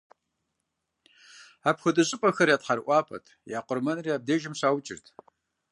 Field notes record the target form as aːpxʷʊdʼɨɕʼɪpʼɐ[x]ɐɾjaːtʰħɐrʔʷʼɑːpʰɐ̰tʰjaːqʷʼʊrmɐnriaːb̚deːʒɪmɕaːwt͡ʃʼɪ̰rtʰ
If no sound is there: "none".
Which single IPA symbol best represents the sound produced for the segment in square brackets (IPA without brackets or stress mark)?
x